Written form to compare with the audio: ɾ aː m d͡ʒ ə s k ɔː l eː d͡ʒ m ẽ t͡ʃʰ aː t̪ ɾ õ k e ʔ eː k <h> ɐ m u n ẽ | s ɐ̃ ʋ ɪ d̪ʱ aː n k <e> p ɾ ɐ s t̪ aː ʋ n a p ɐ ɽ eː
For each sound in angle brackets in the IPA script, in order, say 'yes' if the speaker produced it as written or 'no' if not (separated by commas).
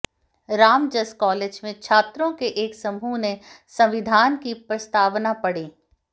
no, no